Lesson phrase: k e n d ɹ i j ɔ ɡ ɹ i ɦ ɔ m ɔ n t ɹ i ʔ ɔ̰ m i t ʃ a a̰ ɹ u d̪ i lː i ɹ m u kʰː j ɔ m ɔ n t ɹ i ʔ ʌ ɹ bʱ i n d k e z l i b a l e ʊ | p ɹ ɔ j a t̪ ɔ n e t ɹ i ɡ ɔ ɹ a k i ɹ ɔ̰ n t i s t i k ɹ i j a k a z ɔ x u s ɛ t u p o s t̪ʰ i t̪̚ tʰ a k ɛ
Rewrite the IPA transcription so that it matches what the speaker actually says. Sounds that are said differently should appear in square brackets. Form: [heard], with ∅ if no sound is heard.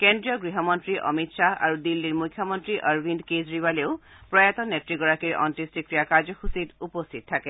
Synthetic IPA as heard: k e n d ɹ i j ɔ ɡ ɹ i ɦ ɔ m ɔ n t ɹ i ʔ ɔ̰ m i t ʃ a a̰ ɹ u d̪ i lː i ɹ m u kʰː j ɔ m ɔ n t ɹ i ʔ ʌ ɹ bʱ i n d k e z [ɹ] i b a l e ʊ | p ɹ ɔ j a t̪ ɔ n e t ɹ i ɡ ɔ ɹ a k i ɹ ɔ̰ n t i s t i k ɹ i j a k a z ɔ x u s [i] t u p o s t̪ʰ i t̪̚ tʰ a k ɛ